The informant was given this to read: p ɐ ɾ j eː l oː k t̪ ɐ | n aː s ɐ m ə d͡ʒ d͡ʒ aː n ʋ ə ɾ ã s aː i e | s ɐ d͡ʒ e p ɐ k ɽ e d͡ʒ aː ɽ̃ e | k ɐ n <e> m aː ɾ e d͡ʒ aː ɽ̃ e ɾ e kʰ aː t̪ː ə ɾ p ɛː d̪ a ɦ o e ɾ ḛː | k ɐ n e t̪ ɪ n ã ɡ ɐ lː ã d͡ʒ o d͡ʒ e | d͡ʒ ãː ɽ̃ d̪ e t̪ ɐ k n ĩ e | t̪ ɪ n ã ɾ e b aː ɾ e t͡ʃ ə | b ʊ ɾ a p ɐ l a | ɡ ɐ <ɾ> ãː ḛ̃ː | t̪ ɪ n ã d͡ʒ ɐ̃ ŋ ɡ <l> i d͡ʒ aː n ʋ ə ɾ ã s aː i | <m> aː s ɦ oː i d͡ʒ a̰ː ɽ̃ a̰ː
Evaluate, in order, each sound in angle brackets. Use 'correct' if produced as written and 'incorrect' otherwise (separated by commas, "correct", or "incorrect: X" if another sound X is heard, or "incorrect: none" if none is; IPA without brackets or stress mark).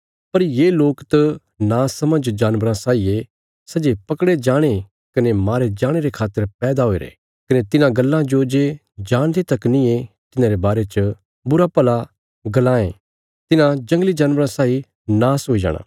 correct, incorrect: l, correct, incorrect: n